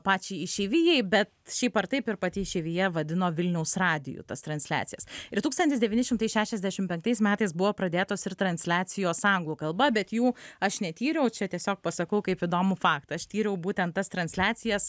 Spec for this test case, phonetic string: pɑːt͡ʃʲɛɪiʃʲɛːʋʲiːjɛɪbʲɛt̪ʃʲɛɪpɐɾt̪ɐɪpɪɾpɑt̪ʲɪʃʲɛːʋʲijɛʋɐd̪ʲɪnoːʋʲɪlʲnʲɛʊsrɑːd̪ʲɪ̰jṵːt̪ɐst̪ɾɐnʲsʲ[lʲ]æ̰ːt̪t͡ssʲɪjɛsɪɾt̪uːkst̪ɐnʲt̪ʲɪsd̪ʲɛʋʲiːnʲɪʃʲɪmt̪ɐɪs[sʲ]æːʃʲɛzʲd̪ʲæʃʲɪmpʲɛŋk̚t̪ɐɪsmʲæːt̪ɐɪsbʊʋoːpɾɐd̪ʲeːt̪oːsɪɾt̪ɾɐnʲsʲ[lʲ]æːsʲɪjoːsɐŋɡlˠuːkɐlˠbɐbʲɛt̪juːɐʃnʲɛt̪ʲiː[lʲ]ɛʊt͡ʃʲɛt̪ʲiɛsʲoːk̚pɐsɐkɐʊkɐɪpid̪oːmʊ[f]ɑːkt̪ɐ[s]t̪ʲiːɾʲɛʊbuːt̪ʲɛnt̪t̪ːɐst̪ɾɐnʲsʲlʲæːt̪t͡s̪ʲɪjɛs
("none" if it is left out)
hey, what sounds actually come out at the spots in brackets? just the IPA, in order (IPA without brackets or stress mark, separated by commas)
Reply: lʲ, ʃʲ, lʲ, ɾʲ, f, ʃ